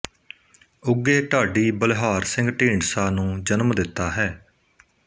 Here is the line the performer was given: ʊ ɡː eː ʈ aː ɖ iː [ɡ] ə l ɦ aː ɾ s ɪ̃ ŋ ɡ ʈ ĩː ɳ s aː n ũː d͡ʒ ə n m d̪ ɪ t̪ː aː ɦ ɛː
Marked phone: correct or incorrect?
incorrect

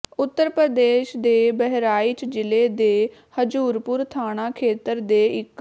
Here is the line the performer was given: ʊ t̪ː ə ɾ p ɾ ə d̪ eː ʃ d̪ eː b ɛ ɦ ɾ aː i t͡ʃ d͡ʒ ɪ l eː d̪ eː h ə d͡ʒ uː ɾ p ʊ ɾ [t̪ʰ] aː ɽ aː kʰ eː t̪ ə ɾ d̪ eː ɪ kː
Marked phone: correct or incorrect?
correct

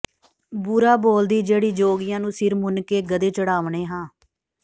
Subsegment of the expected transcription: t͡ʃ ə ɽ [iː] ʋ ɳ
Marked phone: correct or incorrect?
incorrect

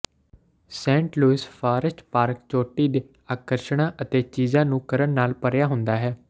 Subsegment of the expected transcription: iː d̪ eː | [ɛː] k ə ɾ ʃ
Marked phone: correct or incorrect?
incorrect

